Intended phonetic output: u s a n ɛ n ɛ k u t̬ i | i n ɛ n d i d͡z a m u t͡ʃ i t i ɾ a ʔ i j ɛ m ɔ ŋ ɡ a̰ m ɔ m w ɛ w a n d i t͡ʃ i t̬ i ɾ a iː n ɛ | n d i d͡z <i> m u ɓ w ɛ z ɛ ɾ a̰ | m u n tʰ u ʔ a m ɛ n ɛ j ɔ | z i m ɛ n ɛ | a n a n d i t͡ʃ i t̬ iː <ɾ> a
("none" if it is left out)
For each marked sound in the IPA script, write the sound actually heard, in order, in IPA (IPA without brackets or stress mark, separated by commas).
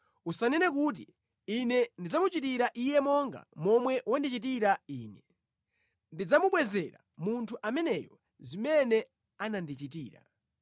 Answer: a, ɾ